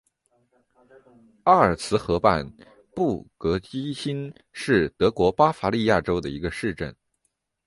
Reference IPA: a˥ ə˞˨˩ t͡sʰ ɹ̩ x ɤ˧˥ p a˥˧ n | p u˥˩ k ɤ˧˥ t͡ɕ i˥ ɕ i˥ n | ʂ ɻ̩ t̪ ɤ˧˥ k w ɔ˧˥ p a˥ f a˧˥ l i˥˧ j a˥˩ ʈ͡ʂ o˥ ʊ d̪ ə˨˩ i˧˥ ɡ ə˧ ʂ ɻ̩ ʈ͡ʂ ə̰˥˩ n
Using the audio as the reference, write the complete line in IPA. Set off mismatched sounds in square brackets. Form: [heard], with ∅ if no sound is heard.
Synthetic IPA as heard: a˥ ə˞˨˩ t͡sʰ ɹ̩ x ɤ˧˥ p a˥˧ n | p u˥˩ k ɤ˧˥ t͡ɕ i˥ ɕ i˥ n | ʂ ɻ̩ t̪ ɤ˧˥ k w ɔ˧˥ p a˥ f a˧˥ l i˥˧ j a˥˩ ʈ͡ʂ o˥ ʊ d̪ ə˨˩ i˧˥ ɡ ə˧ ʂ ɻ̩ ʈ͡ʂ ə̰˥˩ n

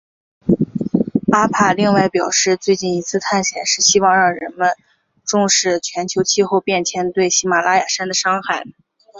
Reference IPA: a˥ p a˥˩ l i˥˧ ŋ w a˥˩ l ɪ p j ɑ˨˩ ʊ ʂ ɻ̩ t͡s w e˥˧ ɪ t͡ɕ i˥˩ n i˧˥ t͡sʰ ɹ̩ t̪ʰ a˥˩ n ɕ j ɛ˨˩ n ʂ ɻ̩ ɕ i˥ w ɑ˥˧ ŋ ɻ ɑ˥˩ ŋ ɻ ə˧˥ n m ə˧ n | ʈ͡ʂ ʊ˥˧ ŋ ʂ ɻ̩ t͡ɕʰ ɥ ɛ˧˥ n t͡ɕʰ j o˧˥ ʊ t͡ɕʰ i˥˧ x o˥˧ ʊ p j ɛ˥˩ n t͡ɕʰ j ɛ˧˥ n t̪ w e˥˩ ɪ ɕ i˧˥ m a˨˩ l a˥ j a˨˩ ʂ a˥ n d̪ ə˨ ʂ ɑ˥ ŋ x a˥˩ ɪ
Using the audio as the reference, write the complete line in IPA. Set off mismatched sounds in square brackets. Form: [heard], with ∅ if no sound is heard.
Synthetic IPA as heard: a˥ [pʰ] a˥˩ l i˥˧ ŋ w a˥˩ [∅] ɪ p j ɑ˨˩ ʊ ʂ ɻ̩ t͡s w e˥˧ ɪ t͡ɕ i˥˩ n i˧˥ t͡sʰ ɹ̩ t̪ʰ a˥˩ n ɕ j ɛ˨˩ n ʂ ɻ̩ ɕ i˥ w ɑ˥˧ ŋ ɻ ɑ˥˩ ŋ ɻ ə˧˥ n m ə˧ n | ʈ͡ʂ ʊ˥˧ ŋ ʂ ɻ̩ t͡ɕʰ ɥ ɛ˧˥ n t͡ɕʰ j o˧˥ ʊ t͡ɕʰ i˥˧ x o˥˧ ʊ p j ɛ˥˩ n t͡ɕʰ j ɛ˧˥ n t̪ w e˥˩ ɪ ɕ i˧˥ m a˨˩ l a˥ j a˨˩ ʂ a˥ n d̪ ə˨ ʂ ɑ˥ ŋ x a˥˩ ɪ

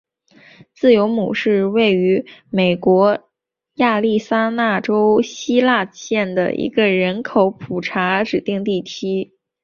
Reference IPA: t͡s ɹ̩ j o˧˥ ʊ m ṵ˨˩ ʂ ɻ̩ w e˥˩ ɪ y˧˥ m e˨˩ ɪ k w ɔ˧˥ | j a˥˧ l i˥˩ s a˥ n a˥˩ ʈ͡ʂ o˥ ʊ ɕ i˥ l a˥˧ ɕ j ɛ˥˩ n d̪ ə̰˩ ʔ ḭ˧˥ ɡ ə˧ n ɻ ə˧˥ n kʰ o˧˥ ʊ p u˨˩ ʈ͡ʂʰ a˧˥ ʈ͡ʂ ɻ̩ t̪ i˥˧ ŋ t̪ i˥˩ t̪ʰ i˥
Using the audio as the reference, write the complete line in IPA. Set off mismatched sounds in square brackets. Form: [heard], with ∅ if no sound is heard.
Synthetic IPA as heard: t͡s ɹ̩ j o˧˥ ʊ m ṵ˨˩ ʂ ɻ̩ w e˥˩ ɪ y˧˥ m e˨˩ ɪ k w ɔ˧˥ | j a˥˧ l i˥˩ s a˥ n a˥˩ ʈ͡ʂ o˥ ʊ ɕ i˥ l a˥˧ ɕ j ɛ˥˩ n d̪ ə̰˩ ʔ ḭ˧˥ ɡ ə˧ [∅] ɻ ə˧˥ n kʰ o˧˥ ʊ [pʰ] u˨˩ ʈ͡ʂʰ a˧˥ ʈ͡ʂ ɻ̩ t̪ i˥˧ ŋ t̪ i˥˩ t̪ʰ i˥

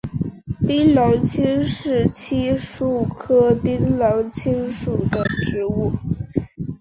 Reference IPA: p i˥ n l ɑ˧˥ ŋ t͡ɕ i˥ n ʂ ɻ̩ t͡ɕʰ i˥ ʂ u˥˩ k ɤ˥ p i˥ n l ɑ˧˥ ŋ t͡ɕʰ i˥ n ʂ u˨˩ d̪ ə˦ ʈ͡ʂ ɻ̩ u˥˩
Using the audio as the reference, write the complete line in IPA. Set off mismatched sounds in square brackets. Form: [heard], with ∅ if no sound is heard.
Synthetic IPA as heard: p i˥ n l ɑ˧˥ ŋ [t͡ɕʰ] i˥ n ʂ ɻ̩ t͡ɕʰ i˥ ʂ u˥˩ [kʰ] ɤ˥ p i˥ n l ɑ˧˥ ŋ t͡ɕʰ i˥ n ʂ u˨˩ d̪ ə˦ ʈ͡ʂ ɻ̩ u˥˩

